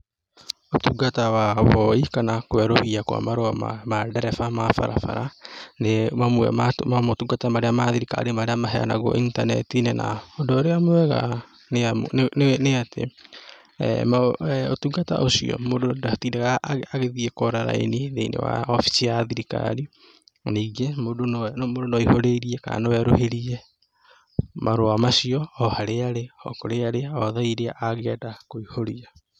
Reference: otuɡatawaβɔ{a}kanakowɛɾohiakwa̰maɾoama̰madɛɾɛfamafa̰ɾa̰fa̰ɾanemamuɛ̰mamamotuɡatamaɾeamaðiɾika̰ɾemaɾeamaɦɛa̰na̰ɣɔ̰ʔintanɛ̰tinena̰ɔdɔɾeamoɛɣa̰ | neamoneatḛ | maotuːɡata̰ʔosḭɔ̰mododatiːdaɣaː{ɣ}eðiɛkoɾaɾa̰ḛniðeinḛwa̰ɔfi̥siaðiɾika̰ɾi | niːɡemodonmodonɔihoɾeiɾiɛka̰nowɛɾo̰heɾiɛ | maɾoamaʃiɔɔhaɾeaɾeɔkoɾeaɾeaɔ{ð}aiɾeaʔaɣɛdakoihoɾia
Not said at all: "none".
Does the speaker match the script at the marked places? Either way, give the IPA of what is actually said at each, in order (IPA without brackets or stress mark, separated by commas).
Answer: i, ɣ, ð